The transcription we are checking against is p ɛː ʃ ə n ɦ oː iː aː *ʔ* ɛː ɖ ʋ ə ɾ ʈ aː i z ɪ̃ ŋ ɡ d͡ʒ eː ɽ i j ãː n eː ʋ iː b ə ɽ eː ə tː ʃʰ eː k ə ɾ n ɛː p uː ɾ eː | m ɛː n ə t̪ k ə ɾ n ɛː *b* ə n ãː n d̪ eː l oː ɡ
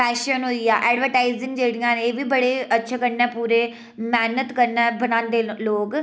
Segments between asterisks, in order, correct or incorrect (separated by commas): correct, correct